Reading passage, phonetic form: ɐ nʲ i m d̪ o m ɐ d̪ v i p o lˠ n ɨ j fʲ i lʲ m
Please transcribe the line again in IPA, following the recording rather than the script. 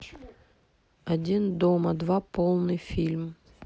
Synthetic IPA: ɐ dʲ i n d̪ o m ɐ d̪ v a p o lˠ n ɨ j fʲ i lʲ m